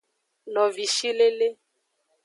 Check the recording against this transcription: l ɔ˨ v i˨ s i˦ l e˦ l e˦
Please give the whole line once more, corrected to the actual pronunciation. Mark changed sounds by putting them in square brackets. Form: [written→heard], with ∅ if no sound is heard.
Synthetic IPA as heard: l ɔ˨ v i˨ [s→ʃ] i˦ l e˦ l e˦